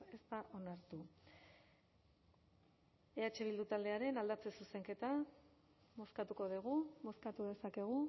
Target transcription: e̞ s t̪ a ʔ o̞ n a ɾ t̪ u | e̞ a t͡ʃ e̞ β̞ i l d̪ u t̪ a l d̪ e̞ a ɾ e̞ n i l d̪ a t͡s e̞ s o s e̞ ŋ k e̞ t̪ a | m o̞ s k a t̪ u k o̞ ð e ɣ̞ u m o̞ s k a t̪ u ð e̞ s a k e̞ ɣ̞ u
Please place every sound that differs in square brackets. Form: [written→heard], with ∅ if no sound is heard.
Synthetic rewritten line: e̞ s t̪ a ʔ o̞ n a ɾ t̪ u | e̞ a t͡ʃ e̞ β̞ i l d̪ u t̪ a l d̪ e̞ a ɾ e̞ n [i→a] l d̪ a t͡s e̞ s [o→u] s e̞ ŋ k e̞ t̪ a | m o̞ s k a t̪ u k o̞ ð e ɣ̞ u m o̞ s k a t̪ u ð e̞ s a k e̞ ɣ̞ u